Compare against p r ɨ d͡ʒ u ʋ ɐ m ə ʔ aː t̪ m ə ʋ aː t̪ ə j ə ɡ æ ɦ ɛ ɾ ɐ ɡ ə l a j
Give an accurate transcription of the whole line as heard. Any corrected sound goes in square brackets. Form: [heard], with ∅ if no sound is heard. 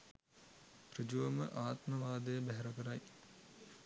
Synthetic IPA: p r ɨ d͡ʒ u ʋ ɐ m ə ʔ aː t̪ m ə ʋ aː [d̪] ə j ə [b] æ ɦ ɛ ɾ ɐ [k] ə [ɾ] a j